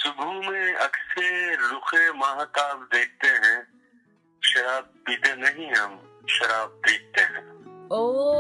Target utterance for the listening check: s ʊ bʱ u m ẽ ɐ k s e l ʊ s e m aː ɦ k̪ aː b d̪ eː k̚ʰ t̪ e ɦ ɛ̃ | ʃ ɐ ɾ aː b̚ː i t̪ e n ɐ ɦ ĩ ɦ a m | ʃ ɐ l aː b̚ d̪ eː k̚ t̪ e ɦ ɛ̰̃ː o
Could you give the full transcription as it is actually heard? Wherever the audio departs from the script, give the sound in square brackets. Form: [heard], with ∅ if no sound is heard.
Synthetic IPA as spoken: s ʊ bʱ u m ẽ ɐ k s e l ʊ [x] e m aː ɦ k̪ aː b d̪ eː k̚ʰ t̪ e ɦ ɛ̃ | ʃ ɐ ɾ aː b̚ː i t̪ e n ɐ ɦ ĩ ɦ [ɐ] m | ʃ ɐ [ɾ] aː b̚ d̪ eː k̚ t̪ e ɦ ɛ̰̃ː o